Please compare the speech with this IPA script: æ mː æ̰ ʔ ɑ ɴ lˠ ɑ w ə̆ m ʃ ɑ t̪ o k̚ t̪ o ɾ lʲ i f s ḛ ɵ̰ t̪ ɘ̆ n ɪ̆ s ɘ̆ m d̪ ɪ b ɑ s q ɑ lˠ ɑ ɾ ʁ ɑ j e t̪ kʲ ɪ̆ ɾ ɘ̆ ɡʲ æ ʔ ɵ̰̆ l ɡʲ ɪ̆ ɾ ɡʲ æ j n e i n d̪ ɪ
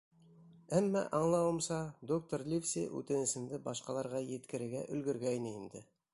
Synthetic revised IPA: æ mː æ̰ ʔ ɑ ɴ lˠ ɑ w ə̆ m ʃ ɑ d̪ o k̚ t̪ o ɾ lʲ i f s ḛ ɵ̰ t̪ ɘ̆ n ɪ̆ s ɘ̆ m d̪ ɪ b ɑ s q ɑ lˠ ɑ ɾ ʁ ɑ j e t̪ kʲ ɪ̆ ɾ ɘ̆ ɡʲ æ ʔ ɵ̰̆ l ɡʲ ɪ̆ ɾ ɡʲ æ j n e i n d̪ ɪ